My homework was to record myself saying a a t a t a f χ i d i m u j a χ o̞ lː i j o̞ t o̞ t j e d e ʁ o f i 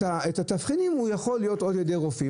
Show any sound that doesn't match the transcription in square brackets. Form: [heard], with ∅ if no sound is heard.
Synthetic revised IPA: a [e] t a t a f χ i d i m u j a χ o̞ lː i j o̞ t o̞ [d] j e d e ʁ o f i

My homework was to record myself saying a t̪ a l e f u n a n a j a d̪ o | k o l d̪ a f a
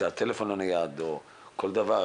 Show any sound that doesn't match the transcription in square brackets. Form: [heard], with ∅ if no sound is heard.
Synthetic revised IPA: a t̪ [e] l e f [o] n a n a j a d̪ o | k o l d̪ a [v] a

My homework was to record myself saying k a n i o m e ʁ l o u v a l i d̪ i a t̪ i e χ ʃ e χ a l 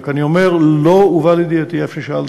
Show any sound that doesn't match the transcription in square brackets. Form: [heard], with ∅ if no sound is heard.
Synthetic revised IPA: k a n i o m e ʁ l o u v a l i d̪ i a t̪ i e [f] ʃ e [ʃ] a l

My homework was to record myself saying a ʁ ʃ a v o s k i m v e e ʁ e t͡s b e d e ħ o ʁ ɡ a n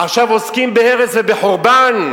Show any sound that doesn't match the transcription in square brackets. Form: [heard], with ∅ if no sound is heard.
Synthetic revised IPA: a [χ] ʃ a v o s k i m [b] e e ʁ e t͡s [v] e [b] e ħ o ʁ [b] a n

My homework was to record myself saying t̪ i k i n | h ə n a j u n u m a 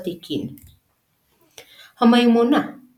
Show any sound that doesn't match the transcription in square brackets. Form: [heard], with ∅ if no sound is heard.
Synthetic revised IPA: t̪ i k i n | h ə [m] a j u [m] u [n] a

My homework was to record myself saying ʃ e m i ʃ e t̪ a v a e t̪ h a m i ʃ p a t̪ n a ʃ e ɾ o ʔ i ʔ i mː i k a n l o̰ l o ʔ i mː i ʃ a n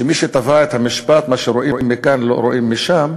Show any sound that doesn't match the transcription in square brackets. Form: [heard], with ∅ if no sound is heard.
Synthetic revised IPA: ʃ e m i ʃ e t̪ a v a e t̪ h a m i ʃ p a t̪ [m] a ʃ e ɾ o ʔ i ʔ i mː i k a n l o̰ [ɾ] o ʔ i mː i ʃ a [m]

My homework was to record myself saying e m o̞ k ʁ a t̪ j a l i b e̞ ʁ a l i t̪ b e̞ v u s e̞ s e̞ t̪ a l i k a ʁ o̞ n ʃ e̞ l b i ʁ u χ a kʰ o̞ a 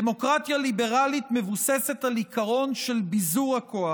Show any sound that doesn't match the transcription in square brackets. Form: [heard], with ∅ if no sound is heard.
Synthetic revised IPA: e m o̞ k ʁ a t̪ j a l i b e̞ ʁ a l i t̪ [m] e̞ v u s e̞ s e̞ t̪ a l i k a ʁ o̞ n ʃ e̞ l b i [z] u [ʁ] a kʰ o̞ a

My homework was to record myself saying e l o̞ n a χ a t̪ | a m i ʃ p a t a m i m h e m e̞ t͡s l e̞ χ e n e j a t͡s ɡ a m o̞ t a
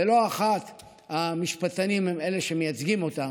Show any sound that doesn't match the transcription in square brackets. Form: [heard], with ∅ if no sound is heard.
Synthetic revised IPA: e l o̞ [∅] a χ a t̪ | a m i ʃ p a t a [n] i m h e m e̞ [∅] l e̞ [ʃ] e [m] e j a t͡s ɡ [i] m o̞ t a

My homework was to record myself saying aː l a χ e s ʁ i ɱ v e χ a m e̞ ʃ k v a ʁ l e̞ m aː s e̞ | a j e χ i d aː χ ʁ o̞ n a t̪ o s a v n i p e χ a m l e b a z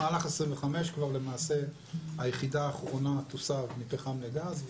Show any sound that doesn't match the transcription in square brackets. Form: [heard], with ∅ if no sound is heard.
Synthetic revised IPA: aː l a χ e s ʁ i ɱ v e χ a m e̞ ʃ k v a ʁ l e̞ m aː s e̞ | a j e χ i d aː χ ʁ o̞ n a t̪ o s a v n i p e χ a m l e [ɡ] a z

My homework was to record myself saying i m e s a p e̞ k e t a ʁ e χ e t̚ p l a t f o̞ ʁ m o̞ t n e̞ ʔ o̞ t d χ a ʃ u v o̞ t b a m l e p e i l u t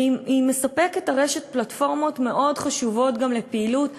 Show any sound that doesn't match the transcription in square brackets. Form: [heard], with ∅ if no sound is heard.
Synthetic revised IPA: i m e s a p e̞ k e t a ʁ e [ʃ] e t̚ p l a t f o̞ ʁ m o̞ t [m] e̞ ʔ o̞ [∅] d χ a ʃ u v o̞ t [ɡ] a m l e p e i l u t

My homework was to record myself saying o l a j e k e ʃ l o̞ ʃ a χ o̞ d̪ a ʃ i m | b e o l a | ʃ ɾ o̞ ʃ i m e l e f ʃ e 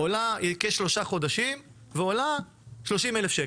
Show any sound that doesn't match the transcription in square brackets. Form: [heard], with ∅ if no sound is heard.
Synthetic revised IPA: o l a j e k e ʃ l o̞ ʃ a χ o̞ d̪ a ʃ i m | [v] e o l a | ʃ [l] o̞ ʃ i m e l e f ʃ e

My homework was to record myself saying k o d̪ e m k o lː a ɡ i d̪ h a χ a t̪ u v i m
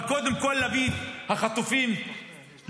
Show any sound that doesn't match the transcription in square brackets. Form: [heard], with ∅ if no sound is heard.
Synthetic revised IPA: k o d̪ e m k o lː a [b] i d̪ h a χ a t̪ u [f] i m

